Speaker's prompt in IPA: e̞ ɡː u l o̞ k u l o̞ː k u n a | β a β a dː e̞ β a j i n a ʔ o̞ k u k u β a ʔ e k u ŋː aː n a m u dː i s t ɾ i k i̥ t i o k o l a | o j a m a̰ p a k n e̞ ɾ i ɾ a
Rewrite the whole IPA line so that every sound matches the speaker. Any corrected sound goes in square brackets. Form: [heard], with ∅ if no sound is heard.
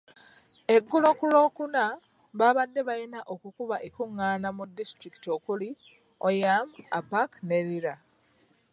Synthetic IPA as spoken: e̞ ɡː u l o̞ k u l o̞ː k u n a | β a β a dː e̞ β a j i n a ʔ o̞ k u k u β a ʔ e k u ŋː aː n a m u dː i s t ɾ i k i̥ t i o k [u] l [i] | o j a m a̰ p a k n e̞ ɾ i ɾ a